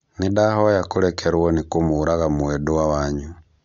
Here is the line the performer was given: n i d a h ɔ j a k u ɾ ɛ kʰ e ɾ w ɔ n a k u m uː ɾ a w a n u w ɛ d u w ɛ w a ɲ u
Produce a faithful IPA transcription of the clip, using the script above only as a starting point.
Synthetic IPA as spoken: n i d a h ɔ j a k u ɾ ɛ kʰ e ɾ w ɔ n i k u m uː ɾ a ɣ a m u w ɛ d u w a w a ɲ u